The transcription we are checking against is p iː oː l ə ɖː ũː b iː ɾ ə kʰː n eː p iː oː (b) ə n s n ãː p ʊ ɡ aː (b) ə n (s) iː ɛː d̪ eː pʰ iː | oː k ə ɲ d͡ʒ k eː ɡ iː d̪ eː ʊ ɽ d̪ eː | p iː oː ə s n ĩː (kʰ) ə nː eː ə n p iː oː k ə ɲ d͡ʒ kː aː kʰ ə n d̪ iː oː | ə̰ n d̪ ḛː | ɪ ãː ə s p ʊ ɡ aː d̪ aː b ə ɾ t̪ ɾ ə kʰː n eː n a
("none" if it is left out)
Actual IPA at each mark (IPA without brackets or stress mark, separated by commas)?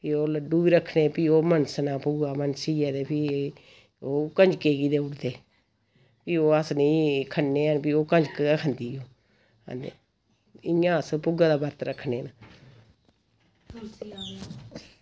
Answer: m, m, s, kʰ